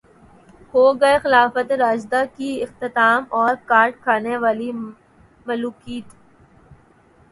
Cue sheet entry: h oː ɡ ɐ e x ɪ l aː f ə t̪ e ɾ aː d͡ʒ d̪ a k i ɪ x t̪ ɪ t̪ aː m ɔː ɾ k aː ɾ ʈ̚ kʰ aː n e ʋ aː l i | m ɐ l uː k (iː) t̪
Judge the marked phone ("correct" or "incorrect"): correct